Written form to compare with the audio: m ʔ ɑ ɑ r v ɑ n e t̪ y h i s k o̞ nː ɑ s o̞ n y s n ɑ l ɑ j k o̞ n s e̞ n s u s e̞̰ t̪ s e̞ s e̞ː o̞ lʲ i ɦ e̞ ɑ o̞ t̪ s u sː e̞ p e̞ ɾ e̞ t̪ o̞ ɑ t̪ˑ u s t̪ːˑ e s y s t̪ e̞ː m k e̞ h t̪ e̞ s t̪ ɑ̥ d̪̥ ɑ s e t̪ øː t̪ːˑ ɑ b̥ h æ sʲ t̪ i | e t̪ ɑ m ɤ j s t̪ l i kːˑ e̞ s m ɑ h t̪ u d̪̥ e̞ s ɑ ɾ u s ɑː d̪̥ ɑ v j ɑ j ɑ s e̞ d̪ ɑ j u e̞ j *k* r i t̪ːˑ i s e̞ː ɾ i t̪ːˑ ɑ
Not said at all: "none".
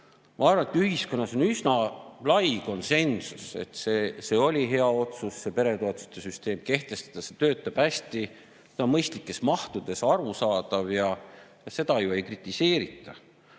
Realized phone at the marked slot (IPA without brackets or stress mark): k